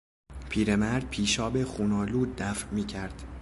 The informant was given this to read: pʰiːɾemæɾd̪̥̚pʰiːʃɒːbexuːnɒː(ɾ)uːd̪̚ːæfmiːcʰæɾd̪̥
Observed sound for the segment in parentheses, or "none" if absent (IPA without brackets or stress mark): l